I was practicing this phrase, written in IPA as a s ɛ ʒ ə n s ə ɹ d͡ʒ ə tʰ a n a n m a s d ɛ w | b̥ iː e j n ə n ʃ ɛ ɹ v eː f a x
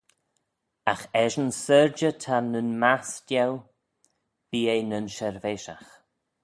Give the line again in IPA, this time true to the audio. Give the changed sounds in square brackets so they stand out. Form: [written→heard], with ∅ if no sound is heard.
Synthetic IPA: a [s→x] ɛ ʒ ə n s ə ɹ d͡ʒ ə tʰ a n [a→ə] n m a s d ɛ w | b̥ iː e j n ə n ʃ ɛ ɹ v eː [f→ʃ] a x